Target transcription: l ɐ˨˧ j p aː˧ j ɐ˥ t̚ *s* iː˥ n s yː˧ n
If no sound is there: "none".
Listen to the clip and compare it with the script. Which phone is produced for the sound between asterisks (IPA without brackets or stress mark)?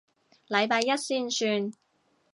s